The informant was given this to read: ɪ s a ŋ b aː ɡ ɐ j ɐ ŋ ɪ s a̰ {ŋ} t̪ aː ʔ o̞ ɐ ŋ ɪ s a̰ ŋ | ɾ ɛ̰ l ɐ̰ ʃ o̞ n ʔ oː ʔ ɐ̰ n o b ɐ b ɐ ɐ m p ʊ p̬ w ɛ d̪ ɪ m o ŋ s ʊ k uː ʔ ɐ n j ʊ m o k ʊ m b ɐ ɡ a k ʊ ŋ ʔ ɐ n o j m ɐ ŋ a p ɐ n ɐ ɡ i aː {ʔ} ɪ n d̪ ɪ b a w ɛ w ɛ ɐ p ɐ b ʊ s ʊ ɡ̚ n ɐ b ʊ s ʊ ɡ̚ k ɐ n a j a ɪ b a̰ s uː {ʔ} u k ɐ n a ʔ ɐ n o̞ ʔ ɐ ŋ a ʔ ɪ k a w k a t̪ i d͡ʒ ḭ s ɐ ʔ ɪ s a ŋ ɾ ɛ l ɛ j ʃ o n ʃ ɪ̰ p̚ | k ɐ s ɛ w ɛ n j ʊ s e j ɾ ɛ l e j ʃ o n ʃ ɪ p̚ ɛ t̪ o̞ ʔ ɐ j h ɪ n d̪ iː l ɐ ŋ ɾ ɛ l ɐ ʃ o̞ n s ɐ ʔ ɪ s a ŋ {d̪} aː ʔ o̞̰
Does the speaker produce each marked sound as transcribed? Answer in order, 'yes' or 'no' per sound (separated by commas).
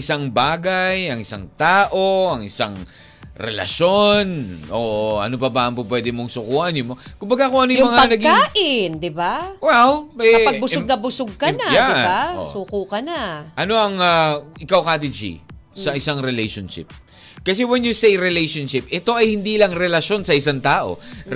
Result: yes, yes, no, no